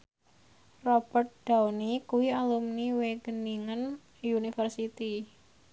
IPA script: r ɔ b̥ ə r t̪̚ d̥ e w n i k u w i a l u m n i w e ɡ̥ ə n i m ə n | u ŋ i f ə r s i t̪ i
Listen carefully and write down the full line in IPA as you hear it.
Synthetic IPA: r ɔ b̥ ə r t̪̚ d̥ a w n i k u w i a l u m n i w e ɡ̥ ə n i ŋ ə n | u n i f ə r s i t̪ i